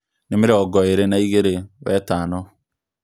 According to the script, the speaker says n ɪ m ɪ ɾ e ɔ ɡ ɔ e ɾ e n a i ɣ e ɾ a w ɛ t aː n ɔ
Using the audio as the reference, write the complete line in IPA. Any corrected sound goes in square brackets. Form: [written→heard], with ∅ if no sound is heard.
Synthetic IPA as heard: n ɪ m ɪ ɾ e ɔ ɡ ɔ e ɾ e n a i ɣ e ɾ [a→e] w ɛ t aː n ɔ